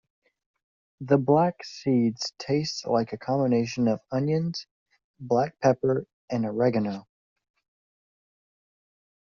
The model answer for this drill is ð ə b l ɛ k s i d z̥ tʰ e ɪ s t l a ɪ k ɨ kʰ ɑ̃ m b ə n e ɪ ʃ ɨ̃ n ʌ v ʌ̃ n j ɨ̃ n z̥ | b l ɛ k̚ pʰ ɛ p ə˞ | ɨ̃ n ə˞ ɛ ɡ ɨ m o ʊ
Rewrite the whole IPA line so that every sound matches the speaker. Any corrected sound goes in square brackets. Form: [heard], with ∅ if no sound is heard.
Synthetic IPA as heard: ð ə b l [æ] k s i d z̥ tʰ e ɪ s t l a ɪ k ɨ kʰ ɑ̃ m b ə n e ɪ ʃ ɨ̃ n ʌ v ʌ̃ n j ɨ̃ n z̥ | b l [æ] k̚ pʰ ɛ p ə˞ | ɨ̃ n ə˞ ɛ ɡ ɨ [n] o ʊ